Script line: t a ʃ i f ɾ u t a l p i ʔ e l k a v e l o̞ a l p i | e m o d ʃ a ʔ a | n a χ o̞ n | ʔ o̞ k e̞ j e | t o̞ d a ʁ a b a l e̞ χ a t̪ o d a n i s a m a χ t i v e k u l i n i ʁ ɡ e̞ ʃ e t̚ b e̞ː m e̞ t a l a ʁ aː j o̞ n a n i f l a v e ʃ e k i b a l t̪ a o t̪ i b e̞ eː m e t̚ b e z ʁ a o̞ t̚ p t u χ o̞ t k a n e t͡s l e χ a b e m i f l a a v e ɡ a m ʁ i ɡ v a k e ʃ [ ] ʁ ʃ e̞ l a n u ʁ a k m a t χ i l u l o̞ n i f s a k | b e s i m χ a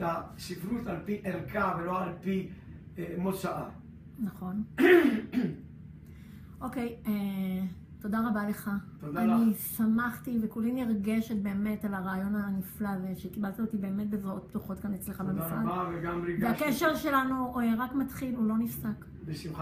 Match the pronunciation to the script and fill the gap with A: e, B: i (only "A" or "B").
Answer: A